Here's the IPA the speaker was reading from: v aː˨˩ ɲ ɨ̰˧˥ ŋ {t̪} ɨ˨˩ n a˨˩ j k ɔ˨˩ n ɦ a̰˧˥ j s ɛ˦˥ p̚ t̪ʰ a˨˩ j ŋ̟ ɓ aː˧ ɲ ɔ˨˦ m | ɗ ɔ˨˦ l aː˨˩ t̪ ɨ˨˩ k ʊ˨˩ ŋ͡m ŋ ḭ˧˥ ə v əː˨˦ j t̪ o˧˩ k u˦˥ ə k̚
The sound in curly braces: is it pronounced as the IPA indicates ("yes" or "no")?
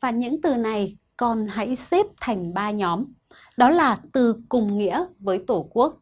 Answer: yes